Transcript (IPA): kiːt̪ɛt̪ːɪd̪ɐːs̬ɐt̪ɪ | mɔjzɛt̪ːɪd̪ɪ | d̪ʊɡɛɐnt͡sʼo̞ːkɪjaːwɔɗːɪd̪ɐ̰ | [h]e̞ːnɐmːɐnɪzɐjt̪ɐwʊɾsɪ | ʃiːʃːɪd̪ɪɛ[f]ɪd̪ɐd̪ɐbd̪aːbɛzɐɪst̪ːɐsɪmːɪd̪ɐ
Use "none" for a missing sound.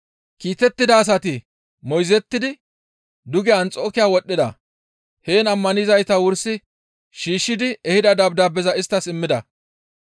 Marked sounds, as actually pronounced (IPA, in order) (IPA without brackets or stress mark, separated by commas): h, h